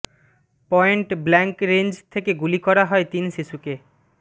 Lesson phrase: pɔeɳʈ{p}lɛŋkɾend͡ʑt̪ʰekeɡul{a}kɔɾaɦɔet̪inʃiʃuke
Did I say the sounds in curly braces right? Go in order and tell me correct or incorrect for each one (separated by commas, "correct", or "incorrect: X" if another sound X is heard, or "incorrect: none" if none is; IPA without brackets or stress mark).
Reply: incorrect: b, incorrect: i